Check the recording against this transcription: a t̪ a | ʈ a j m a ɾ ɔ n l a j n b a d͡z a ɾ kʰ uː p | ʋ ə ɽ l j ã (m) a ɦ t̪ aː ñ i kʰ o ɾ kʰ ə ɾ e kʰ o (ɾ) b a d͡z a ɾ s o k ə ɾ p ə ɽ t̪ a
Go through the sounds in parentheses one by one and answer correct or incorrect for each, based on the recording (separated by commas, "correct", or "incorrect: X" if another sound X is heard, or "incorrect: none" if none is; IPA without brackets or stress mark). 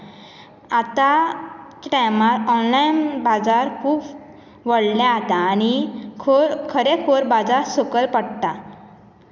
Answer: incorrect: none, correct